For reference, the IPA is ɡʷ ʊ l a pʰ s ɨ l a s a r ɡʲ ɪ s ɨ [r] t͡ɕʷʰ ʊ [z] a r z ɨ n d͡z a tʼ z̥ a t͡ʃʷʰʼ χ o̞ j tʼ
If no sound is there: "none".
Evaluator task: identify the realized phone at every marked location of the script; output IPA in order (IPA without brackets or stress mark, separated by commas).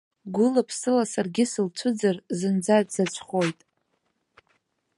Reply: l, d͡z